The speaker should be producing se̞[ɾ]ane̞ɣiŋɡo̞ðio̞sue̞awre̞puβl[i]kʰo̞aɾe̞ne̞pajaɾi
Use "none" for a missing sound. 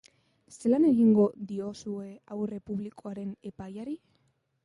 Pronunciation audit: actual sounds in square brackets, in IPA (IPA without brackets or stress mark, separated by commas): l, i